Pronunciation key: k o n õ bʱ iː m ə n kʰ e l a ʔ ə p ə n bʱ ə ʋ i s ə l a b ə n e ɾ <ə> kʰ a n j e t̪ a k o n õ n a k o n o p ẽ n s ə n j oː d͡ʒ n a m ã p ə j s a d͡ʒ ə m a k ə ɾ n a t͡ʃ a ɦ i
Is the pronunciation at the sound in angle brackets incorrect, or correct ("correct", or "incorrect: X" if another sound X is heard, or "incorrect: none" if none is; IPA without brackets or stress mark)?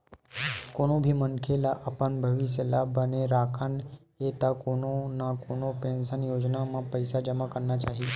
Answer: incorrect: a